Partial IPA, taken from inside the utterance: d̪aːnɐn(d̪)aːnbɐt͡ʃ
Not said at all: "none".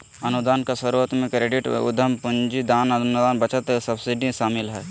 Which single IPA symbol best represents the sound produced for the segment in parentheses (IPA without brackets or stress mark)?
d̪